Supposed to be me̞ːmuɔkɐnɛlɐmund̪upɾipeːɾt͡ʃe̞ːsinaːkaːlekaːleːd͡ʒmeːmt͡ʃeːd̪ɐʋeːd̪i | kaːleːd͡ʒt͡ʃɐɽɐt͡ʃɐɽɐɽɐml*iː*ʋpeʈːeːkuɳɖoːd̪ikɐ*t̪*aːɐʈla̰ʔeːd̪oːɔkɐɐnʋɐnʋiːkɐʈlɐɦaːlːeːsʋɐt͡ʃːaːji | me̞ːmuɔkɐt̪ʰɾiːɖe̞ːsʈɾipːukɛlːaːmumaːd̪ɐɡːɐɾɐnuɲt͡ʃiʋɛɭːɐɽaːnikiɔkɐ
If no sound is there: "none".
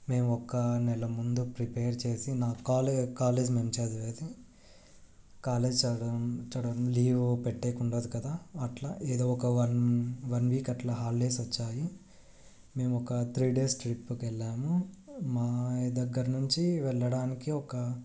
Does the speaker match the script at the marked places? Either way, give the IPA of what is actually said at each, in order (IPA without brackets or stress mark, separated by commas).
iː, d̪